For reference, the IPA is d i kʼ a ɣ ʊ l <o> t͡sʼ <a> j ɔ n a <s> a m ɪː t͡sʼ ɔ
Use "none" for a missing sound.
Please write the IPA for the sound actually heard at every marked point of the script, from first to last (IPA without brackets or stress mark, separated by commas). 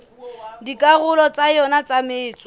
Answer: ɔ, a, t͡s